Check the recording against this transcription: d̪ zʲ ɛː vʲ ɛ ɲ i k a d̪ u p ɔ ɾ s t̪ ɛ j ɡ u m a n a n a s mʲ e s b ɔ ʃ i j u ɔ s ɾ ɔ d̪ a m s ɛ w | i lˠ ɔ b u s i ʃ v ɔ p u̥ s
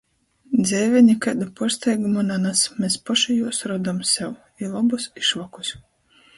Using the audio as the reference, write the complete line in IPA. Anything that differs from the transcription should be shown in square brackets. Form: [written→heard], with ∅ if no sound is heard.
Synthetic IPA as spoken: d̪ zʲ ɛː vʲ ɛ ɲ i k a d̪ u p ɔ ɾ s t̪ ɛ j ɡ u m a n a n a s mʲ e s [b→p] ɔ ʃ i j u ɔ s ɾ ɔ d̪ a m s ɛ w | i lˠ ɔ b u s i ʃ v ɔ [p→k] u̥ s

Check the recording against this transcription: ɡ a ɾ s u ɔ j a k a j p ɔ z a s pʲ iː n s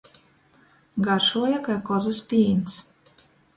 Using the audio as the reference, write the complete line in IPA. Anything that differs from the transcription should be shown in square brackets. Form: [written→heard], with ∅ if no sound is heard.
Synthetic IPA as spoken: ɡ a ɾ [s→ʃ] u ɔ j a k a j [p→k] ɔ z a s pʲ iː n s

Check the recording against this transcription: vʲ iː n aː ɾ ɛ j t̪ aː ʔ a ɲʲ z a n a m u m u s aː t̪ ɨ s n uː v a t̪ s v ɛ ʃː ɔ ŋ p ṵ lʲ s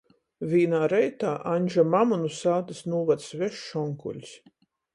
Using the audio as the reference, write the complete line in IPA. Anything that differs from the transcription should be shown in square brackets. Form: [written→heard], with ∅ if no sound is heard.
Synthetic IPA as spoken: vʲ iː n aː ɾ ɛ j t̪ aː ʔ a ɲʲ [z→ʒ] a [n→m] a m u [m→n] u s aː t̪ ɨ s n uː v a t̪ s v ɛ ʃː ɔ ŋ [p→k] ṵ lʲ s

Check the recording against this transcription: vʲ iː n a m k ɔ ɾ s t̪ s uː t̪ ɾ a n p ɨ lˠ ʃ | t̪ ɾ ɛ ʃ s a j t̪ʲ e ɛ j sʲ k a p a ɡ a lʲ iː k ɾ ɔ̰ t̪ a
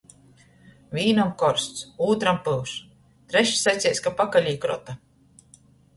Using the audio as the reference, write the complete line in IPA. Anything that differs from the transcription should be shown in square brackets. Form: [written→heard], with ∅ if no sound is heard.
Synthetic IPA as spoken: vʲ iː n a m k ɔ ɾ s t̪ s uː t̪ ɾ a [n→m] p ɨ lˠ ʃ | t̪ ɾ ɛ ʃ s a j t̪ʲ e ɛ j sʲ k a p a [ɡ→k] a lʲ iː k ɾ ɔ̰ t̪ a

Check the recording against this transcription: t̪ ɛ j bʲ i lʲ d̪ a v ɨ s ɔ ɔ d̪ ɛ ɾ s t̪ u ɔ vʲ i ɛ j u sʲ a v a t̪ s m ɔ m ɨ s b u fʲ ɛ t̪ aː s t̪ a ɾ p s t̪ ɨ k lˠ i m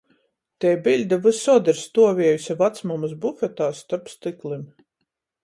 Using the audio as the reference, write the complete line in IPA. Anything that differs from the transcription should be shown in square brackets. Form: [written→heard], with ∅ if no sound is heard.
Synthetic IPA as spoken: t̪ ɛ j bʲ i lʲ d̪ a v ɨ s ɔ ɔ d̪ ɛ ɾ s t̪ u ɔ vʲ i ɛ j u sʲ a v a t̪ s m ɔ m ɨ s b u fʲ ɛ t̪ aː s t̪ a ɾ p s t̪ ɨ k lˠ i m

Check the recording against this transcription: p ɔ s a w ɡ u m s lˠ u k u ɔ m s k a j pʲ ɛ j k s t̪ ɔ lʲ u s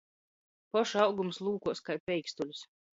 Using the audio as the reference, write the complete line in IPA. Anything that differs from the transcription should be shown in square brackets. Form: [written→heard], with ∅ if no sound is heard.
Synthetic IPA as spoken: p ɔ [s→ʃ] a w ɡ u m s lˠ [u→uː] k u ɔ [m→∅] s k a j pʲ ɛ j k s t̪ [ɔ→u] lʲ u s

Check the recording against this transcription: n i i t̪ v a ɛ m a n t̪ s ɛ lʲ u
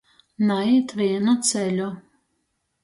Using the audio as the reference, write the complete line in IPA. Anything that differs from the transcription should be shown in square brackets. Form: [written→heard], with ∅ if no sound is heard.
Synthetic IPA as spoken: n [i→a] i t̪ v [a→i] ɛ [m→n] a [n→∅] t̪ s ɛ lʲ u

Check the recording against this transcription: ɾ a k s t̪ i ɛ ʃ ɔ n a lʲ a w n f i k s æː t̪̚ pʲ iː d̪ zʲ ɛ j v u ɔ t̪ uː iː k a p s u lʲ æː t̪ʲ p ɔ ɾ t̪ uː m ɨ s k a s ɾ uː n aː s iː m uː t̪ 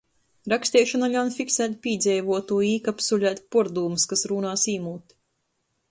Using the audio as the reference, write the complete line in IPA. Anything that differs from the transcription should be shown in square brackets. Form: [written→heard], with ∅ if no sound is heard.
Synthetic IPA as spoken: ɾ a k s t̪ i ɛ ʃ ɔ n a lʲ a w n f i k s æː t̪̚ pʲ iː d̪ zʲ ɛ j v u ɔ t̪ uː iː k a p s u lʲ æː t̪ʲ p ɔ ɾ [t̪→d̪] uː m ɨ s k a s ɾ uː n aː s iː m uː t̪

